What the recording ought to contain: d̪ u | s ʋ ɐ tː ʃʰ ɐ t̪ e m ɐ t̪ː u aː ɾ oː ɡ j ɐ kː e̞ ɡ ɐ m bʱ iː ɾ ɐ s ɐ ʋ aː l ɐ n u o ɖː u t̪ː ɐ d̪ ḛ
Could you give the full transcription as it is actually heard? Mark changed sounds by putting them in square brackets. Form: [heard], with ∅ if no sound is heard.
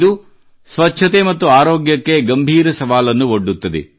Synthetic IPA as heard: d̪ u | s ʋ ɐ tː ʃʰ ɐ t̪ e m ɐ t̪ː u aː ɾ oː ɡ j ɐ kː e̞ ɡ ɐ m bʱ iː ɾ ɐ s ɐ ʋ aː l ɐ [nː] u o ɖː u t̪ː ɐ d̪ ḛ